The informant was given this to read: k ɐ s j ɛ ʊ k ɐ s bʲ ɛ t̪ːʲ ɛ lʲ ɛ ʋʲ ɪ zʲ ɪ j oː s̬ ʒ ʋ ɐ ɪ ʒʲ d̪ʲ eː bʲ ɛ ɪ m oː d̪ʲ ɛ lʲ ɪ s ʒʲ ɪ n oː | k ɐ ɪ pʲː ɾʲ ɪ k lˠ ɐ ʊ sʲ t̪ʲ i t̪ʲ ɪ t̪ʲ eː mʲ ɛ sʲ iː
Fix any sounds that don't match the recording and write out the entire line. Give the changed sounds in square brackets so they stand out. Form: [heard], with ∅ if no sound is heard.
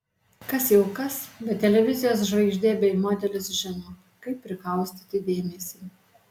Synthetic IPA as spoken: k ɐ s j ɛ ʊ k ɐ s bʲ ɛ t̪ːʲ ɛ lʲ ɛ ʋʲ ɪ zʲ ɪ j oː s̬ ʒ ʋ ɐ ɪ ʒʲ d̪ʲ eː bʲ ɛ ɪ m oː d̪ʲ ɛ lʲ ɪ s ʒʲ ɪ n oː | k ɐ ɪ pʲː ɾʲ ɪ k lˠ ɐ ʊ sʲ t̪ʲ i t̪ʲ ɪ [d̪ʲ] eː mʲ ɛ sʲ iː